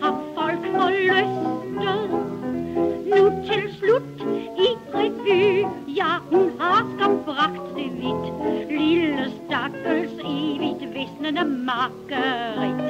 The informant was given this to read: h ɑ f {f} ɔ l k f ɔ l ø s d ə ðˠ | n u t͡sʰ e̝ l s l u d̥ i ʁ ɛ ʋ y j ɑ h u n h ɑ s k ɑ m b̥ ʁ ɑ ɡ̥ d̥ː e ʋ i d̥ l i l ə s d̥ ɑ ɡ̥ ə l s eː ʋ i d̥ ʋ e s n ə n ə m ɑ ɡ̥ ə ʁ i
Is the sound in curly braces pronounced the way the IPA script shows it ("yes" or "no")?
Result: yes